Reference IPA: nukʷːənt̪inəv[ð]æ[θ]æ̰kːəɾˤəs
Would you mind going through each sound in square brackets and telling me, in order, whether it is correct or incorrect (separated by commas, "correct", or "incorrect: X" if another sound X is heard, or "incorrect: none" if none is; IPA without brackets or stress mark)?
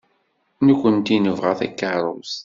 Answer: incorrect: ʁ, correct